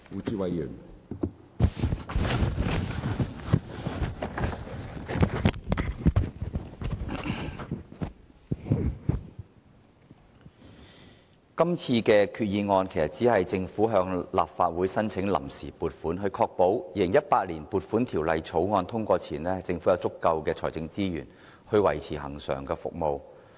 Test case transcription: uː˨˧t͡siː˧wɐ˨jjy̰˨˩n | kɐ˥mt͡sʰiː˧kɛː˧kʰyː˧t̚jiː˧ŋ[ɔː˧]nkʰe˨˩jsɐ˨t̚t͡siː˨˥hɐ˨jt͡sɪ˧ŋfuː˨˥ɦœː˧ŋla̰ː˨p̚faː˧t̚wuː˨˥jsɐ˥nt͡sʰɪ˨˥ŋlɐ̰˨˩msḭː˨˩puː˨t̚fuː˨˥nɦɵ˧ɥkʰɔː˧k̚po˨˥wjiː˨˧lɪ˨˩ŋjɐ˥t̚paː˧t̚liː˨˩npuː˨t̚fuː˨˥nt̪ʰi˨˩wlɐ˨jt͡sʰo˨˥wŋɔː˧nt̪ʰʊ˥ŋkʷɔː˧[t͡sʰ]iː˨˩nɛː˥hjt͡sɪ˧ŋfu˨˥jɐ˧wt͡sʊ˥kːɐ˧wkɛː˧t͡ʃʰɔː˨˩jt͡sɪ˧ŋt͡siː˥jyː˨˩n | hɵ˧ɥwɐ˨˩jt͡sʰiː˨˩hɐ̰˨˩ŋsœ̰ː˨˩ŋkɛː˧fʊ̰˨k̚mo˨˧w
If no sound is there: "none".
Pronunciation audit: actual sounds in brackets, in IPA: ɔː˧, t͡sʰ

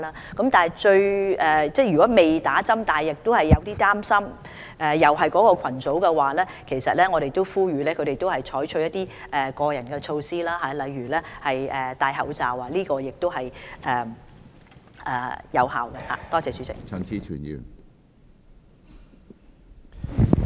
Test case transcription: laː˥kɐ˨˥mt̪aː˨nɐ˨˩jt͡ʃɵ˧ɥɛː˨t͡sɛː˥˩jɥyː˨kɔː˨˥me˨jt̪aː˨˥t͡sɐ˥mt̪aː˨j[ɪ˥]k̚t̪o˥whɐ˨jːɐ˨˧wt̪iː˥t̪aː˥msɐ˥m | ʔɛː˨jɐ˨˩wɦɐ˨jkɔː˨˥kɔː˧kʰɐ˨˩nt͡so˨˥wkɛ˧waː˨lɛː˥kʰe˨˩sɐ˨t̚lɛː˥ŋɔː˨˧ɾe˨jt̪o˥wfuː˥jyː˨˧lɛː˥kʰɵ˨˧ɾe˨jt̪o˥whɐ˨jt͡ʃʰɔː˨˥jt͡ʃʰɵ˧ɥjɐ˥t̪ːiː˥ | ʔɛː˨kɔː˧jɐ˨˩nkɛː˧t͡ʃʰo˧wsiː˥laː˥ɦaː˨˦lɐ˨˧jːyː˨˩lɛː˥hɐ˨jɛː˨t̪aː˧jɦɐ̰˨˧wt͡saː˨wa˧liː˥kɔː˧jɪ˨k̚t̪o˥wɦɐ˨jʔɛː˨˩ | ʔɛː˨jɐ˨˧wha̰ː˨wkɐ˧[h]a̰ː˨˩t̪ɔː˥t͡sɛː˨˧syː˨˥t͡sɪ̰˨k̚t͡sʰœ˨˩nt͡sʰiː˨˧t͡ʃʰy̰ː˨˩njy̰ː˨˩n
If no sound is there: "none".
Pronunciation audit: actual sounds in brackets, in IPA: ɪ˨, h

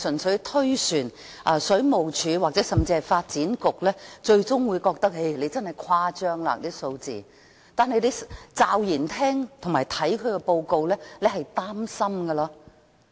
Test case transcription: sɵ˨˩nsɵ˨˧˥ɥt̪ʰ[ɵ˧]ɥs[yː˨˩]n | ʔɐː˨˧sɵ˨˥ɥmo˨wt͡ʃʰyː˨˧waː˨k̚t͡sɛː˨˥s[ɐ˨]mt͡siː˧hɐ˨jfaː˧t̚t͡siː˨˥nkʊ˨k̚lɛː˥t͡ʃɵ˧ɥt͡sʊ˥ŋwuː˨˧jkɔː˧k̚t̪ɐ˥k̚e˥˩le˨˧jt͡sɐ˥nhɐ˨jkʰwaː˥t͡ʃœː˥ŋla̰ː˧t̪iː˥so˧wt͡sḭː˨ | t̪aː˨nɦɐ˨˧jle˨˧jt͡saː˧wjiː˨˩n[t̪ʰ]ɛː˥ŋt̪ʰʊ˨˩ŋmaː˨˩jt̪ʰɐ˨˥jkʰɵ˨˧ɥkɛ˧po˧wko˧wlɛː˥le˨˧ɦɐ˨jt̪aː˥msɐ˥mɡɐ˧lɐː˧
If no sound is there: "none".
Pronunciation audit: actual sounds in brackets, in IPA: ɵ˥, yː˨˩, ɐ˨, t̪ʰ

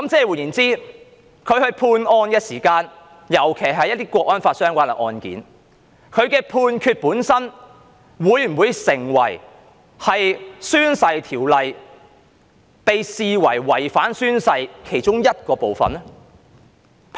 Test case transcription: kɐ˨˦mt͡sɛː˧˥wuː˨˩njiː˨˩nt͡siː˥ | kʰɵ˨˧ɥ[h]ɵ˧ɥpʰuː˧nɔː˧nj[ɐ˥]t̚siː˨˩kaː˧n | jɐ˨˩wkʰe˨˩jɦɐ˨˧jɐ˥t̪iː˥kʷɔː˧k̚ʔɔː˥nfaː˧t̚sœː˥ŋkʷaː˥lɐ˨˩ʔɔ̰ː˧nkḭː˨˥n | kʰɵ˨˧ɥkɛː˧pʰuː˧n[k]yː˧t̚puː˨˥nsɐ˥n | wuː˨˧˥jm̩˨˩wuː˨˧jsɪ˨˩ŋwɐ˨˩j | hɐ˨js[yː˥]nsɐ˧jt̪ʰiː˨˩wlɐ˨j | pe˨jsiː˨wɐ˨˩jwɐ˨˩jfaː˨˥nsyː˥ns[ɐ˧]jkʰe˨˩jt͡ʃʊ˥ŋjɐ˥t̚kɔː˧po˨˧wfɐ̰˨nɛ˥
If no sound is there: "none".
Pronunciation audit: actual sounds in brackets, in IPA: h, ɐ˥, kʰ, yː˥, ɐ˧

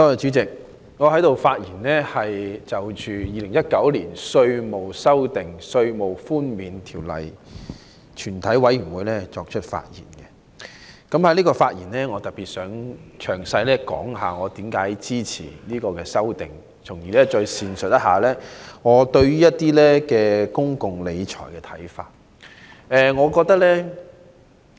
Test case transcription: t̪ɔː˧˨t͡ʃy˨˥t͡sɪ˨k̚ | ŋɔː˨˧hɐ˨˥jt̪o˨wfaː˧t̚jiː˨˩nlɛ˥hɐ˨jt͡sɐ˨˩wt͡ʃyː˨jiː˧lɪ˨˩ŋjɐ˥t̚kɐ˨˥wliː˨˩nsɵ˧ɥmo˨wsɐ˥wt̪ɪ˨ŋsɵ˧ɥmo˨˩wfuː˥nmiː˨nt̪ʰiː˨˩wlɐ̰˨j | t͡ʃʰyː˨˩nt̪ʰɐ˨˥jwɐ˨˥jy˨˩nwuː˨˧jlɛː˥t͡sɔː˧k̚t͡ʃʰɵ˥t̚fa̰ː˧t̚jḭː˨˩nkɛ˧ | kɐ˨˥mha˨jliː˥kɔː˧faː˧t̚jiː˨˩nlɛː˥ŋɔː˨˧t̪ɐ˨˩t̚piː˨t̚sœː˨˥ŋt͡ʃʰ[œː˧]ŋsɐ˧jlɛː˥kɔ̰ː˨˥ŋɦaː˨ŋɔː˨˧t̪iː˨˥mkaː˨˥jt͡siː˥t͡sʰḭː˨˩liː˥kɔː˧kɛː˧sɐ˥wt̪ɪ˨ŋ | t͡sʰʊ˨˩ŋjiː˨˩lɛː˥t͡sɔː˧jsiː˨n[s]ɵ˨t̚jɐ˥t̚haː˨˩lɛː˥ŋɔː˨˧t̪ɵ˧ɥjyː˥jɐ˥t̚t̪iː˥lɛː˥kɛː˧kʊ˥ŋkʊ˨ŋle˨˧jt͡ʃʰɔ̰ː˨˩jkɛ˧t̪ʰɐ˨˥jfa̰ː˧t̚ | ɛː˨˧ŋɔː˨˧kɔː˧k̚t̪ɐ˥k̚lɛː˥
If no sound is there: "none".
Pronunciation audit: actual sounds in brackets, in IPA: œː˨˩, s

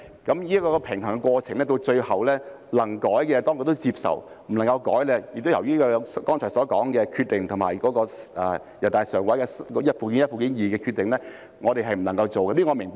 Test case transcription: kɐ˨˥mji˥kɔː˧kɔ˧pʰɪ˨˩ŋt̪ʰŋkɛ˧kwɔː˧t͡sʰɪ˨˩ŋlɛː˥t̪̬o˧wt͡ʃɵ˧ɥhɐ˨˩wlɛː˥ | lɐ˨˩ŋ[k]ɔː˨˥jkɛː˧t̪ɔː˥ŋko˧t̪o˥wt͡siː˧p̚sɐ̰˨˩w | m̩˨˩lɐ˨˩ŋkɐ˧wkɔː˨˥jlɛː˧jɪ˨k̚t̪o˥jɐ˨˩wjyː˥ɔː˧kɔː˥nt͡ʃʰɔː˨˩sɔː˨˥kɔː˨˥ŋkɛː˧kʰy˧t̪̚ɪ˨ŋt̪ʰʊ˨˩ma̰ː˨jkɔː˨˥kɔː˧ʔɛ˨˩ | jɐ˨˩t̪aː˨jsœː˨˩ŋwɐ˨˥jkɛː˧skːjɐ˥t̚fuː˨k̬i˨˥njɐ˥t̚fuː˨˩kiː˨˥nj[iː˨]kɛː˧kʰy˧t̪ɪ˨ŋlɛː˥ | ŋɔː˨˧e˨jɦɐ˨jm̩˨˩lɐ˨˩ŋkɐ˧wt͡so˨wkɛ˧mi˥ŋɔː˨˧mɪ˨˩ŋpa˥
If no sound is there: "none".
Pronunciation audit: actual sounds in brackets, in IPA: k, iː˨

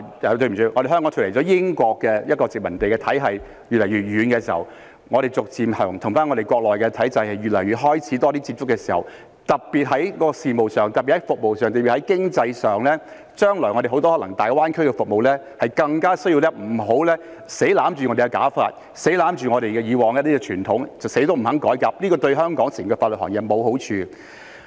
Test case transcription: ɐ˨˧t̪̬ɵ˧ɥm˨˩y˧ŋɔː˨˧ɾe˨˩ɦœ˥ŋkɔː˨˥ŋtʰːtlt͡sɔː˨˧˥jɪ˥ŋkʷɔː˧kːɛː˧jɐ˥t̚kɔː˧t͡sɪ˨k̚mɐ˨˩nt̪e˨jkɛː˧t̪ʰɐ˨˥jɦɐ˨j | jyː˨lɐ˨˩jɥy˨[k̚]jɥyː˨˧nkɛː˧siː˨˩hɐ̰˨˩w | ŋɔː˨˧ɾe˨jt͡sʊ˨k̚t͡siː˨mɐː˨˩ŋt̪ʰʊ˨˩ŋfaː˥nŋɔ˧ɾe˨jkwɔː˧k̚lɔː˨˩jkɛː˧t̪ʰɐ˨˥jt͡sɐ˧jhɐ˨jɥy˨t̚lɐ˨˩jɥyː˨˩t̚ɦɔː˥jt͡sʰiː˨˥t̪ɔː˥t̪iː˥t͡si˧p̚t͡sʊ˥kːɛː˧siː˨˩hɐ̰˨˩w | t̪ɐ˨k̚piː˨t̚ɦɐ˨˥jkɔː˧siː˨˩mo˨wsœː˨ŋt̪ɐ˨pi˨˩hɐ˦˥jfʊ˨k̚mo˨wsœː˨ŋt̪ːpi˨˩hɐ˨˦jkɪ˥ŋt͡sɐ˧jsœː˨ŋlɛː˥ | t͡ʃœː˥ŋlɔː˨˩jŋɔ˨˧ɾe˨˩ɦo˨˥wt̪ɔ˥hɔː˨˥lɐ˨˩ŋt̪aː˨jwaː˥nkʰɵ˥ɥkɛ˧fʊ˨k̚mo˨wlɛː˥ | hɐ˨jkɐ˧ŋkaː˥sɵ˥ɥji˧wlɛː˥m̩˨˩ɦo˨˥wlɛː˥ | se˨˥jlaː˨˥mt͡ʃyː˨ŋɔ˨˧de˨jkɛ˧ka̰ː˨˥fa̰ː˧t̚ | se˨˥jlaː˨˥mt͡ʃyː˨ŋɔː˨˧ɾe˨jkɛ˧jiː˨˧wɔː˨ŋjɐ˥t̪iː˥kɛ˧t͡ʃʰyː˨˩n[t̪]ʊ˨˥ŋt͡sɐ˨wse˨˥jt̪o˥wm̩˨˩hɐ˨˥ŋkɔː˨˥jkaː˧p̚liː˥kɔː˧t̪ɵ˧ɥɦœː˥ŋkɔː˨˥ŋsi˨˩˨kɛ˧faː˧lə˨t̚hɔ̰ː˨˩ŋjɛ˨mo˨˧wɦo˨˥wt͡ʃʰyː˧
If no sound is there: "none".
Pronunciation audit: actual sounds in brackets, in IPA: t̚, t̪ʰ

